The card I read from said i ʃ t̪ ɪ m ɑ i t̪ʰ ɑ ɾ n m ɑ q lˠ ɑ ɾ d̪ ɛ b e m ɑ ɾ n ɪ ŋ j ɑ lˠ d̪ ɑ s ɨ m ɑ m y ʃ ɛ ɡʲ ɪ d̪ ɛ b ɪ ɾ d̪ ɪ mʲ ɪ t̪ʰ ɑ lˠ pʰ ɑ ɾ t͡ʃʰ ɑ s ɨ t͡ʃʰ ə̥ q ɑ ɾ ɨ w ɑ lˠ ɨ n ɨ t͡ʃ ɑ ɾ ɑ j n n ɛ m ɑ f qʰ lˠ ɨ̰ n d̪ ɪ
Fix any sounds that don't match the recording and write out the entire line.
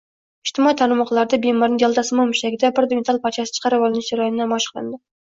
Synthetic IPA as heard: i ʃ t̪ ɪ m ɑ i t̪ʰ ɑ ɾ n m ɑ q lˠ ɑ ɾ d̪ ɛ b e m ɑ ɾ n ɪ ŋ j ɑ lˠ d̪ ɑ s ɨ m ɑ m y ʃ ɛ ɡʲ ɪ d̪ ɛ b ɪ ɾ d̪ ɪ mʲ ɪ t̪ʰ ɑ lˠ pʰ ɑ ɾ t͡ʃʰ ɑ s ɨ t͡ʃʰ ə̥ q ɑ ɾ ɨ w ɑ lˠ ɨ n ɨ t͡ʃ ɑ ɾ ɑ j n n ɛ m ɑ ʃ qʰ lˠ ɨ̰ n d̪ ɪ